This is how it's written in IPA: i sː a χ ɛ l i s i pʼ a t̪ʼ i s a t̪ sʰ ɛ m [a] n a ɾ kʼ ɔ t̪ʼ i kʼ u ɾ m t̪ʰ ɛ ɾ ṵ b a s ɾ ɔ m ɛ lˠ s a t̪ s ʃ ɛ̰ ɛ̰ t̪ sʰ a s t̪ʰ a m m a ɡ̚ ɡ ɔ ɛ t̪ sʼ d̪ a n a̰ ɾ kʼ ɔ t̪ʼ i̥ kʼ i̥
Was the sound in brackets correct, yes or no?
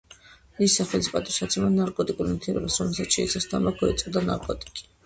yes